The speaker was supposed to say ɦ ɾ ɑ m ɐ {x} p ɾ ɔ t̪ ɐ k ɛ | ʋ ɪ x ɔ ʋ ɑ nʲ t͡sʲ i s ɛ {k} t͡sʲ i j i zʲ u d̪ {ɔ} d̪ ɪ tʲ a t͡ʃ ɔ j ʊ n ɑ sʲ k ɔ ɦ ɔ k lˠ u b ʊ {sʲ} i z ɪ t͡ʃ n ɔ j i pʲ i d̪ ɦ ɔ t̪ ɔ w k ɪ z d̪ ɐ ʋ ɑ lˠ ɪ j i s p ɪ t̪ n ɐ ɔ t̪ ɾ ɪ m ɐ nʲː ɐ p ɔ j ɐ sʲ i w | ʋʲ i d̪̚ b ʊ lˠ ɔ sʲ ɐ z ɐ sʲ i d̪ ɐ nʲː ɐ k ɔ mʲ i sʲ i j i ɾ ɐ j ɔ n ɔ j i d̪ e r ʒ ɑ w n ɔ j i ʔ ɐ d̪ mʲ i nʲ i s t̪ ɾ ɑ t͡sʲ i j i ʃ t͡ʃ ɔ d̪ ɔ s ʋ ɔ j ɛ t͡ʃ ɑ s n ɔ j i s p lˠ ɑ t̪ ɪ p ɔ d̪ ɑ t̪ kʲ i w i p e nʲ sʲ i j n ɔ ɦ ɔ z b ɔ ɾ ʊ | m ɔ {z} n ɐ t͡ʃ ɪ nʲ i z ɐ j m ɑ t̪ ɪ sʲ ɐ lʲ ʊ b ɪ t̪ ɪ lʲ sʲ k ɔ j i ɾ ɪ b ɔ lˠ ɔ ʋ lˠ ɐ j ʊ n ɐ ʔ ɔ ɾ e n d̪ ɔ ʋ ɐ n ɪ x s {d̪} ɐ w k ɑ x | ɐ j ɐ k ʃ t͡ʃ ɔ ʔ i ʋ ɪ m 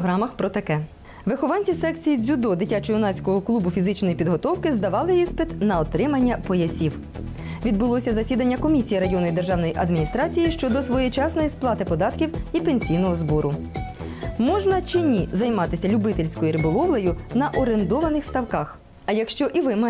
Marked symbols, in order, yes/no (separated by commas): yes, yes, yes, no, no, no